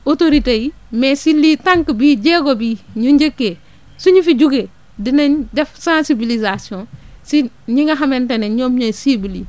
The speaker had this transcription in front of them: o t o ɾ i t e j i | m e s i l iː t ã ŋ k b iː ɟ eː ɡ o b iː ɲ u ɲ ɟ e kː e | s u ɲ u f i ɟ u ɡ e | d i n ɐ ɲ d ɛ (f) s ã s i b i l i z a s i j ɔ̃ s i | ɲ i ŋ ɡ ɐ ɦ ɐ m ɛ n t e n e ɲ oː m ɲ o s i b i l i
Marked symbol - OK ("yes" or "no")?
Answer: yes